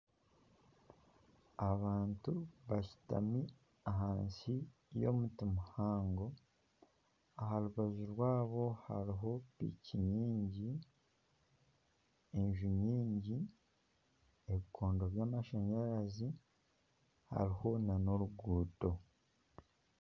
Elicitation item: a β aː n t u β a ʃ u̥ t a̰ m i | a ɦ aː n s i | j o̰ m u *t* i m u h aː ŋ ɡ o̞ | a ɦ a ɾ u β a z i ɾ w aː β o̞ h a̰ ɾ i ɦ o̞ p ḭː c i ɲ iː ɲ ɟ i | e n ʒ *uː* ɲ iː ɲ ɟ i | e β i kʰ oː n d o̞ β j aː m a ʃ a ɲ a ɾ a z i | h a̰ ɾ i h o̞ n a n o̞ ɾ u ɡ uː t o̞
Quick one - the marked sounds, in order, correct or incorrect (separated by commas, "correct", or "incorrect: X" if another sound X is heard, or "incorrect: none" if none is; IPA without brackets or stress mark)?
correct, incorrect: u